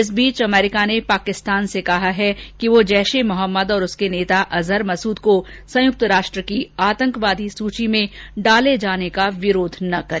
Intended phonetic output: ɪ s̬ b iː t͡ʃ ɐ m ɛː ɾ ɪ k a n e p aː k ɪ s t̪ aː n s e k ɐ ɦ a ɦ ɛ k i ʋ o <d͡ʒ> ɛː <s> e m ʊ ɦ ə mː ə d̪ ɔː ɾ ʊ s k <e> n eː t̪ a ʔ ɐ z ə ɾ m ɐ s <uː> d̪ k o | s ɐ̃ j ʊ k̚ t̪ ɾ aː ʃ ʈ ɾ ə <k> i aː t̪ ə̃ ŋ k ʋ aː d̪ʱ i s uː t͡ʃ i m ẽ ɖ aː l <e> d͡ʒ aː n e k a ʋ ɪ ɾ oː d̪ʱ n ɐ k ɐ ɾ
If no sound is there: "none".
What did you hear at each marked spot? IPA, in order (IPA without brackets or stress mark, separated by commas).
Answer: d͡ʒ, ʃ, e, uː, k, e